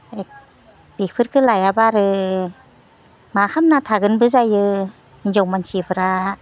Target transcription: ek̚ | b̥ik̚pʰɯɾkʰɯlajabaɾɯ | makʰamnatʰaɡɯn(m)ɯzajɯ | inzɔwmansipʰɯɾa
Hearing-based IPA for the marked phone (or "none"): b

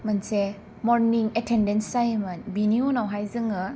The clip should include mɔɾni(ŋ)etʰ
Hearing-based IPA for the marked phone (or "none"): ŋ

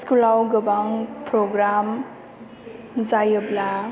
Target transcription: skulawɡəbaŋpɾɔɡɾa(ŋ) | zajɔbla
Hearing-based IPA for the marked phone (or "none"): m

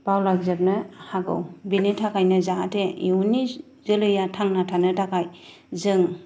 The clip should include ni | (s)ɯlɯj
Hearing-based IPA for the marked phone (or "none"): z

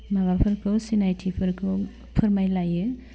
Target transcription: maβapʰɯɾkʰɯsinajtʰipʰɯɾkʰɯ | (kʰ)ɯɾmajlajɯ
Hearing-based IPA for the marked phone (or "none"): pʰ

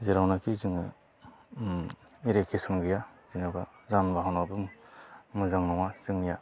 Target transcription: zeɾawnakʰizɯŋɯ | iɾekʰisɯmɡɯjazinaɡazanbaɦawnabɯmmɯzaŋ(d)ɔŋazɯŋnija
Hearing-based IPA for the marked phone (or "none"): n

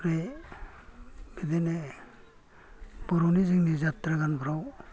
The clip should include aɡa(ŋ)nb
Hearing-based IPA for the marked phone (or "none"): none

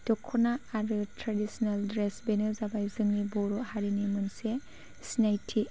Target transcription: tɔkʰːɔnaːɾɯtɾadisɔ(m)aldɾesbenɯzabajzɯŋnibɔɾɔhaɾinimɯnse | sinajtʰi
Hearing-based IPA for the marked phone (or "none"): n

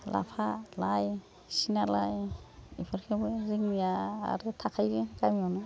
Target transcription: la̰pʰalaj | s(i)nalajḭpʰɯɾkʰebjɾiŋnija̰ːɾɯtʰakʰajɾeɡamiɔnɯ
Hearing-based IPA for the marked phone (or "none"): i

